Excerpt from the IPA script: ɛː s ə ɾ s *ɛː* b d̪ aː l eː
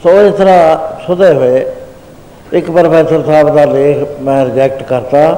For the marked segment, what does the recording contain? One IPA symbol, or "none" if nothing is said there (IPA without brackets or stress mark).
aː